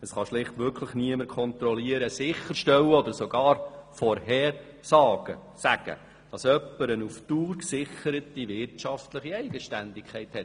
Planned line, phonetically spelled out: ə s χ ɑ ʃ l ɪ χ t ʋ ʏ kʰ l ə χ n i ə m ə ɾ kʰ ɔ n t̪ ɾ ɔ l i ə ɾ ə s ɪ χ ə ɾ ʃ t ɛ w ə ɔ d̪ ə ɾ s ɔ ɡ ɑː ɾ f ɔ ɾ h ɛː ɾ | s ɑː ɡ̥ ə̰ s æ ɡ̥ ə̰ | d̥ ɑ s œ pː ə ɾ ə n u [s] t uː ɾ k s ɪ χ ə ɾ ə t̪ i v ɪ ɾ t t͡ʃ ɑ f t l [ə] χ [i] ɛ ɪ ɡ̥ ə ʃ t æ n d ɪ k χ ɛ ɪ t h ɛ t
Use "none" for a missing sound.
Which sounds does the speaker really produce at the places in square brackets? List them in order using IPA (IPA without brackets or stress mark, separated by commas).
f, ə, i